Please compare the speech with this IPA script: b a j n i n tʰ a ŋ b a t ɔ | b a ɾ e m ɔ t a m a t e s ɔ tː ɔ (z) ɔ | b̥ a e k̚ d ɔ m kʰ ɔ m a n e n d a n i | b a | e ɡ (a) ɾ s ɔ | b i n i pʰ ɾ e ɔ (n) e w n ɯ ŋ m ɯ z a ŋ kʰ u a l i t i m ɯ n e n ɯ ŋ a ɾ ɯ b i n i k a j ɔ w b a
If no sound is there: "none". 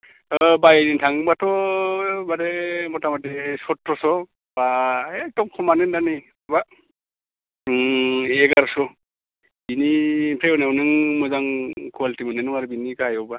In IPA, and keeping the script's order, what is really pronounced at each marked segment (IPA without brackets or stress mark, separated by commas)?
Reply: s, a, n